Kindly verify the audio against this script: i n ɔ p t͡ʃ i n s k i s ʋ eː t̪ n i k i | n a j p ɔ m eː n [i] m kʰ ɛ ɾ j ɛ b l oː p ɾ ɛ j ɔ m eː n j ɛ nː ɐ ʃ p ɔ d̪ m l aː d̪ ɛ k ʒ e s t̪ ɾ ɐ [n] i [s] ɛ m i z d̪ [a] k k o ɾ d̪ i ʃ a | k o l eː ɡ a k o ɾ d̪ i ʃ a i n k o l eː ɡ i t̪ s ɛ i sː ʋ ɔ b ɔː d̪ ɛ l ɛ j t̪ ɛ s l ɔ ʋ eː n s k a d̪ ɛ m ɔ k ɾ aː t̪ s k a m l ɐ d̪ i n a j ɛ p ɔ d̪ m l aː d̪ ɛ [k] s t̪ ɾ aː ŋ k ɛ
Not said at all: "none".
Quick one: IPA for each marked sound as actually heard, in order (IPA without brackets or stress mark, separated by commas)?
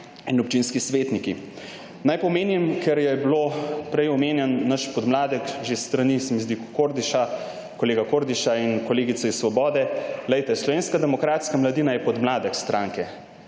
i, n, s, i, k